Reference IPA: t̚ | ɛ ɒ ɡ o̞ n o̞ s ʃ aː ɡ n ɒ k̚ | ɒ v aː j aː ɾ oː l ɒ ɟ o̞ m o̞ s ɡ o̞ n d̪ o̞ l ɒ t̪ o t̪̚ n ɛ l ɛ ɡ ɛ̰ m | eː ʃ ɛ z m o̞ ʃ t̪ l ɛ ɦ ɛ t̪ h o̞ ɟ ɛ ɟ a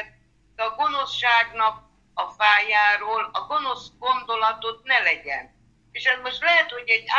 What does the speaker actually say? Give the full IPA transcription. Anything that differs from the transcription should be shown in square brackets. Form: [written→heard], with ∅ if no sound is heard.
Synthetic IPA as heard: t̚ | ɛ ɒ ɡ o̞ n o̞ s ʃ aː ɡ n ɒ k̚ | ɒ [v→f] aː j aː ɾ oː l ɒ [ɟ→ɡ] o̞ [m→n] o̞ s ɡ o̞ n d̪ o̞ l ɒ t̪ o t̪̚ n ɛ l ɛ [ɡ→ɟ] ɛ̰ [m→n] | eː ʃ ɛ z m o̞ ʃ t̪ l ɛ ɦ ɛ t̪ h o̞ ɟ ɛ ɟ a